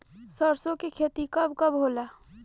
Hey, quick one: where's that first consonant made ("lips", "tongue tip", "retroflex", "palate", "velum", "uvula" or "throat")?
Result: tongue tip